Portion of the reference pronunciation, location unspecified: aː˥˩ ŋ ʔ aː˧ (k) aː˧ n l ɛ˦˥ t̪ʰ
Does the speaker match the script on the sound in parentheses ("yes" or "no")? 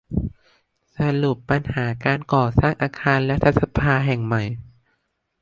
no